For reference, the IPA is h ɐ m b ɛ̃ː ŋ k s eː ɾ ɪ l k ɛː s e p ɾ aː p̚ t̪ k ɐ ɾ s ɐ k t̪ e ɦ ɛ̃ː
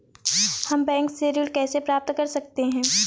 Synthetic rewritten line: h ɐ m b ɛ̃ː ŋ k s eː ɾ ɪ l k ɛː s e p ɾ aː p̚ t̪ k ɐ ɾ s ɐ k t̪ e ɦ ɛ̃ː